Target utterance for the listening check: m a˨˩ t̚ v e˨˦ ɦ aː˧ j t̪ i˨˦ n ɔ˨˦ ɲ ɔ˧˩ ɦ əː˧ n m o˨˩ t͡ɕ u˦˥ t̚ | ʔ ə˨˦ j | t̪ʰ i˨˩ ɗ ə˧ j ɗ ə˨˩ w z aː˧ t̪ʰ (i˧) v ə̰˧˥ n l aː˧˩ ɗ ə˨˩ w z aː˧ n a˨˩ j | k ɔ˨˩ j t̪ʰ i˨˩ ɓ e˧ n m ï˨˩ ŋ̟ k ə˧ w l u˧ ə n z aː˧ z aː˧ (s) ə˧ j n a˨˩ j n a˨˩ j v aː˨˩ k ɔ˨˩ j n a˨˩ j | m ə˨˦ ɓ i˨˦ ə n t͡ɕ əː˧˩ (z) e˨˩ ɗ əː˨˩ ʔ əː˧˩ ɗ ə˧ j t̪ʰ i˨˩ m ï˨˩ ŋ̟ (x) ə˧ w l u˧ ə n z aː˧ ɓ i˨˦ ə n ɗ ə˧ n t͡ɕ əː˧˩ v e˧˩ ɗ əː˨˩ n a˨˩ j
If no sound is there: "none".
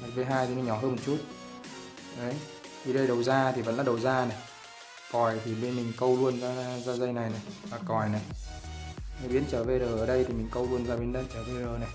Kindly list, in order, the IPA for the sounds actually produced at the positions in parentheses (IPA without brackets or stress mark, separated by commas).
i˨˩, z, v, k